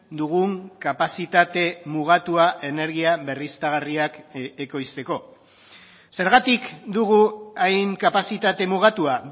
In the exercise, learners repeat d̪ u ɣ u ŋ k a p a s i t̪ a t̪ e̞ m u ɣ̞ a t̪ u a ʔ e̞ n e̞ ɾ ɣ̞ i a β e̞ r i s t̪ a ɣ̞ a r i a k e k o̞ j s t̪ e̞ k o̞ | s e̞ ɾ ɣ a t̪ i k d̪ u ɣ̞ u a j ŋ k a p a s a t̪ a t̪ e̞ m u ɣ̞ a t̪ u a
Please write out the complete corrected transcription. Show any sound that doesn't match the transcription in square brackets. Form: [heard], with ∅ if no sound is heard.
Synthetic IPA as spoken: d̪ u ɣ u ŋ k a p a s i t̪ a t̪ e̞ m u ɣ̞ a t̪ u a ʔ e̞ n e̞ ɾ ɣ̞ i a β e̞ r i s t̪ a ɣ̞ a r i a k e k o̞ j s t̪ e̞ k o̞ | s e̞ ɾ ɣ a t̪ i k d̪ u ɣ̞ u a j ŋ k a p a s [i] t̪ a t̪ e̞ m u ɣ̞ a t̪ u a